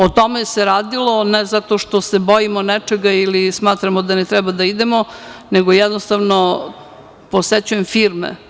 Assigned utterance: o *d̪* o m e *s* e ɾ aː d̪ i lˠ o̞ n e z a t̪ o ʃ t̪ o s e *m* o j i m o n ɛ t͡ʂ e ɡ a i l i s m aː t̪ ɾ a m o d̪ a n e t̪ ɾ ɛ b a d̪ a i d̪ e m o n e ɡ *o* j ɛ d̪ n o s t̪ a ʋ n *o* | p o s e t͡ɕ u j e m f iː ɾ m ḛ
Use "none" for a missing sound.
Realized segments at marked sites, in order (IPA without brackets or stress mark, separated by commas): t̪, s, b, o, o